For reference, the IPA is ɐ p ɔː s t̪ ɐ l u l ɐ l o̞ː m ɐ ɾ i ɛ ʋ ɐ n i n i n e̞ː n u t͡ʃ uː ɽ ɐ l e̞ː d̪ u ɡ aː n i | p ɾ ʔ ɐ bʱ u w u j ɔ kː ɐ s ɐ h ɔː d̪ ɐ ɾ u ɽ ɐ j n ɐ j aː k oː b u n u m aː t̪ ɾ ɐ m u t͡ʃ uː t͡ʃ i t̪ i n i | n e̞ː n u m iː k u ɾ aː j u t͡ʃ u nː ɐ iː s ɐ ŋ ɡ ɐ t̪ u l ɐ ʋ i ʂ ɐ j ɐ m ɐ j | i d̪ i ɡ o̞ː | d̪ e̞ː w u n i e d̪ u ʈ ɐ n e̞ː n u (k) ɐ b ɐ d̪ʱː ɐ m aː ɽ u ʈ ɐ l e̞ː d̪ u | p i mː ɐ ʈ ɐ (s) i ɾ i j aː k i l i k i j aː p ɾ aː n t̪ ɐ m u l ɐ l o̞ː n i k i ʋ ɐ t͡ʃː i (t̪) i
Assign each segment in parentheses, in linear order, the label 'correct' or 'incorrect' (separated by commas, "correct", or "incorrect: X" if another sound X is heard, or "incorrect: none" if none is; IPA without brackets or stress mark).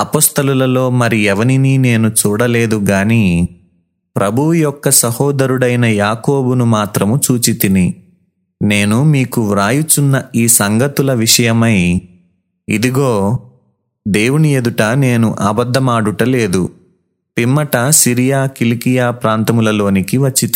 incorrect: ʔ, correct, correct